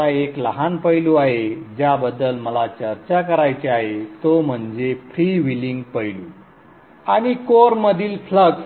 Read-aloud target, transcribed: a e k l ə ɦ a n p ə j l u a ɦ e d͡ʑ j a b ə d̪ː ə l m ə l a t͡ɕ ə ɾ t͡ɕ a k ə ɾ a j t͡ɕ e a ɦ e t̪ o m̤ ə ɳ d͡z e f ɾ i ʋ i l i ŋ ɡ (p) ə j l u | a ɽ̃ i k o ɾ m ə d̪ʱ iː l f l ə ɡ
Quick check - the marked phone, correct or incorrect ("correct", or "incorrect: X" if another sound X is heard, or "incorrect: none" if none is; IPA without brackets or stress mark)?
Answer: correct